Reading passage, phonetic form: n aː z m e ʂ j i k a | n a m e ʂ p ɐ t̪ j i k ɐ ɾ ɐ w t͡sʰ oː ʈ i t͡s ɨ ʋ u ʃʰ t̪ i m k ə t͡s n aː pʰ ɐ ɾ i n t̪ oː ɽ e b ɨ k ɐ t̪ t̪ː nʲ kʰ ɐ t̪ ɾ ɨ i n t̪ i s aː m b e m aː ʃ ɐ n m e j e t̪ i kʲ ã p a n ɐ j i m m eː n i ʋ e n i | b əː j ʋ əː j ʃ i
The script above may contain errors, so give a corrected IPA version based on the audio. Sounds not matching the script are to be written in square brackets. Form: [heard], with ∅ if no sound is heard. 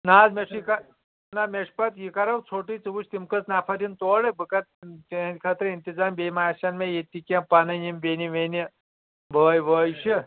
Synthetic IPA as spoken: n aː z m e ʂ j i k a | n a m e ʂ p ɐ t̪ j i k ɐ ɾ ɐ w t͡sʰ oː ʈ i t͡s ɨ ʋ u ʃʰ t̪ i m k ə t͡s n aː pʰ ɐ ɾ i n t̪ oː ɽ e b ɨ k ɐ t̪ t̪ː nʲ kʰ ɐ t̪ ɾ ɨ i n t̪ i [z] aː m b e m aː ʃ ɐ n m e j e t̪ i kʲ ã p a n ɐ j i m [b] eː n i ʋ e n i | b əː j ʋ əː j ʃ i